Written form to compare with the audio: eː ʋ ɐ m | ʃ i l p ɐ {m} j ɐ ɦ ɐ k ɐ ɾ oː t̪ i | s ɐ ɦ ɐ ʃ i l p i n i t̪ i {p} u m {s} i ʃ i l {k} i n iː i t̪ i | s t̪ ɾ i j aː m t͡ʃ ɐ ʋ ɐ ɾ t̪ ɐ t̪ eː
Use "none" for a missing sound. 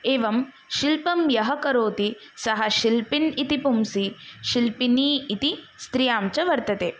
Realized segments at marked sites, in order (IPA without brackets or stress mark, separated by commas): m, p, s, p